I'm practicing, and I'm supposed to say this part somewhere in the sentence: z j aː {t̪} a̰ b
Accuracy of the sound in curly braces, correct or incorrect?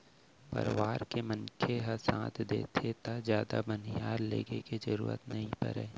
incorrect: d̪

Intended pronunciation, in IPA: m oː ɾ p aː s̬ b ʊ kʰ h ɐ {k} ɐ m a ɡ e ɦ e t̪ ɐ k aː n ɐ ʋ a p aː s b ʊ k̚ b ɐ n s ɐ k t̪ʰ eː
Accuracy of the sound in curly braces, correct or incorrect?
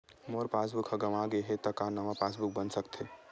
incorrect: ɡ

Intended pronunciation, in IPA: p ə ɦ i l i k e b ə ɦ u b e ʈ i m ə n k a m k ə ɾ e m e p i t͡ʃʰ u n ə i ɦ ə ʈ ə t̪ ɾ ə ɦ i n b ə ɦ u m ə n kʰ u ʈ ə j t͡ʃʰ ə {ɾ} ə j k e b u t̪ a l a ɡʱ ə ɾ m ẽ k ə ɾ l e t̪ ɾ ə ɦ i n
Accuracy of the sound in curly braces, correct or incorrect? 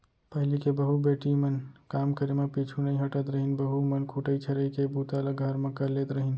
correct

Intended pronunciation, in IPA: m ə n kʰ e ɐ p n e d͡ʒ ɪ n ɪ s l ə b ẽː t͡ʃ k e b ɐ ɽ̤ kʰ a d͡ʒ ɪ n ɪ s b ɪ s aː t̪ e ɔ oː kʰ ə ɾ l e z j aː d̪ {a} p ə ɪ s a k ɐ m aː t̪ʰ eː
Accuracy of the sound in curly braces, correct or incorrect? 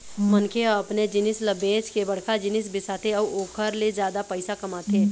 correct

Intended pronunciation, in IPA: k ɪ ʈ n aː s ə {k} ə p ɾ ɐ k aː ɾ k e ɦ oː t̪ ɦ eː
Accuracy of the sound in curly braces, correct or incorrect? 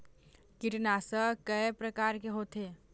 correct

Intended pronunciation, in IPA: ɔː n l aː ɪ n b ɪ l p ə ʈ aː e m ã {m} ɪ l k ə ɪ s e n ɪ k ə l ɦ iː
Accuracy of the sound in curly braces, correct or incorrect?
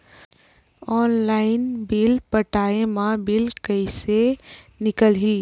incorrect: b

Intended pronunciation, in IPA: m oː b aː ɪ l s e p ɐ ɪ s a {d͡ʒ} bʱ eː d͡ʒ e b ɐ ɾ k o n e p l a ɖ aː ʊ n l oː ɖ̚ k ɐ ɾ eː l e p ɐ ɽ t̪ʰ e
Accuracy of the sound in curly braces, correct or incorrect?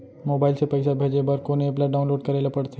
incorrect: none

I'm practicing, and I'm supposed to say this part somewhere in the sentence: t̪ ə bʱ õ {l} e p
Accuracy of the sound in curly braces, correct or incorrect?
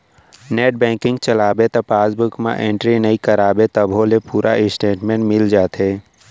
correct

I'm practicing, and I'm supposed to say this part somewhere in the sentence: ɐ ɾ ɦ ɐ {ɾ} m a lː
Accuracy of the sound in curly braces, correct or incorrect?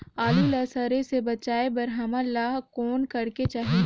incorrect: none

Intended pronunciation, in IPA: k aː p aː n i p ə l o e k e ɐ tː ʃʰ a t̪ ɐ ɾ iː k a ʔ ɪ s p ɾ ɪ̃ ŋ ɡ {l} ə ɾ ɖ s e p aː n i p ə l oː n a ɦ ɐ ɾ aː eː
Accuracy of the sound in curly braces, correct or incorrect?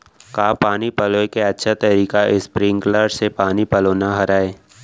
correct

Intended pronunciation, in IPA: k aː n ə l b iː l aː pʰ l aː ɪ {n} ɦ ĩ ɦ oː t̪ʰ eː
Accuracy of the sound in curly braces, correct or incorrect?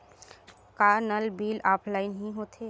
correct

